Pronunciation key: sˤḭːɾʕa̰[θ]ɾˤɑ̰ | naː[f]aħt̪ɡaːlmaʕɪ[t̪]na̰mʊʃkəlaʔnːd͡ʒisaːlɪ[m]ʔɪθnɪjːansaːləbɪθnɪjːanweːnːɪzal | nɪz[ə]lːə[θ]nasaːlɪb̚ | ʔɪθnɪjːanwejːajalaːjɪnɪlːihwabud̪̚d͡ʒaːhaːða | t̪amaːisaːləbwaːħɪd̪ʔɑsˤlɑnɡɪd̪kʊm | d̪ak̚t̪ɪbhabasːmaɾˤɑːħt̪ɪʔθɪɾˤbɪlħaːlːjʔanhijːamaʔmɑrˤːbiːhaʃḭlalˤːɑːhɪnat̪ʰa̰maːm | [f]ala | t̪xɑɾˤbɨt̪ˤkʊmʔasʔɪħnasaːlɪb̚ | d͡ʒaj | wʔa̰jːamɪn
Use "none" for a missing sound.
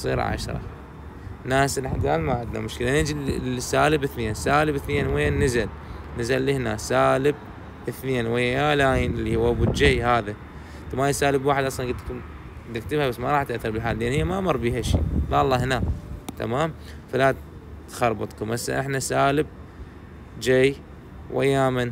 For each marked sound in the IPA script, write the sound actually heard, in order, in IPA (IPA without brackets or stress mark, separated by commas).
ʃ, s, d̪, b, a, h, f